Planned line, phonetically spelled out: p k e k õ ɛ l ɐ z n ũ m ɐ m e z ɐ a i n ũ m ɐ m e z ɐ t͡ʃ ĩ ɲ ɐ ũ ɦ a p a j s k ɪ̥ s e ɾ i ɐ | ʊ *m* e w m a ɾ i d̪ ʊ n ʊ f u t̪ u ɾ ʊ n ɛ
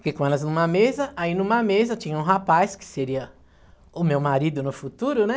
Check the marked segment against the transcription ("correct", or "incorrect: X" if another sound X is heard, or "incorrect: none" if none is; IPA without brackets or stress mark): correct